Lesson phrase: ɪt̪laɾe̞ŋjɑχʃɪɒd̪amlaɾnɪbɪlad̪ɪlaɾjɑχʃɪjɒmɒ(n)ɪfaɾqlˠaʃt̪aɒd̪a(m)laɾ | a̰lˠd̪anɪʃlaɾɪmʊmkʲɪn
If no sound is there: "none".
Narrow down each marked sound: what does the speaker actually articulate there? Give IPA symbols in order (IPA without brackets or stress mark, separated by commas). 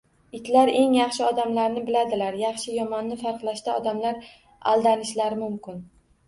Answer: nː, m